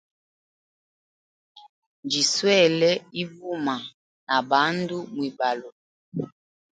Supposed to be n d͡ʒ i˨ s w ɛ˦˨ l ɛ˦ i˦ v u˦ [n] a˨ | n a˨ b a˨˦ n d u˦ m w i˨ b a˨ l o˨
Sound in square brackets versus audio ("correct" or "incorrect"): incorrect